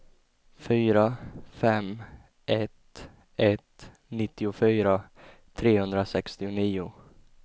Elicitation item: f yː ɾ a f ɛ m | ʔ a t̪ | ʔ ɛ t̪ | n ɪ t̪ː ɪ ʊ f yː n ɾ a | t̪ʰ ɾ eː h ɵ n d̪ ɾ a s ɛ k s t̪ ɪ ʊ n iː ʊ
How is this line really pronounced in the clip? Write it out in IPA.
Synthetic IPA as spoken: f yː ɾ a f ɛ m | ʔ ɛ t̪ | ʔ ɛ t̪ | n ɪ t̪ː ɪ ʊ f yː ɾ a | t̪ʰ ɾ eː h ɵ n d̪ ɾ a s ɛ k s t̪ ɪ ʊ n iː ʊ